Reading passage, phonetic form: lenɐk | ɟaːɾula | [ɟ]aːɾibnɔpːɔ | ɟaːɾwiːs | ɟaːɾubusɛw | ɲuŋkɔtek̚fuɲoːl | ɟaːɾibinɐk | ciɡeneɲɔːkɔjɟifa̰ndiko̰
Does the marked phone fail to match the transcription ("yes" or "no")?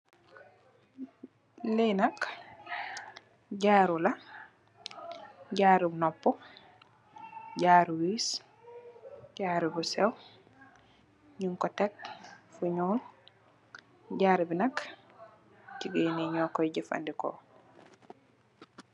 no